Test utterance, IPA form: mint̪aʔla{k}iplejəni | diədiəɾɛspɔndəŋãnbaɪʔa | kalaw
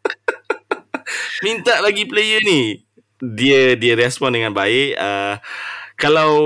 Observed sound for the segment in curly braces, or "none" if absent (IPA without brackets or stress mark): ɡ